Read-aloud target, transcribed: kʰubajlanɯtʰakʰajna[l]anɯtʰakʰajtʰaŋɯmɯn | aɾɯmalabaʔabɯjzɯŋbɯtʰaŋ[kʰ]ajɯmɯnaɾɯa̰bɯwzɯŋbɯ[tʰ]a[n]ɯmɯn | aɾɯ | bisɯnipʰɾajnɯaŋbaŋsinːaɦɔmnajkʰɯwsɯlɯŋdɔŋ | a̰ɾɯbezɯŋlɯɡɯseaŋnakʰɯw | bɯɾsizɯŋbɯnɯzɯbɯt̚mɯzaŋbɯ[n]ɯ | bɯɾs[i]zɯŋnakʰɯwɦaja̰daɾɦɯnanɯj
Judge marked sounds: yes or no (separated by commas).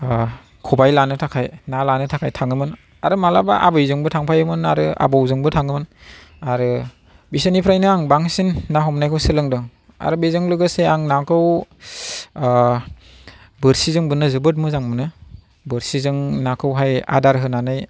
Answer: yes, no, yes, no, yes, yes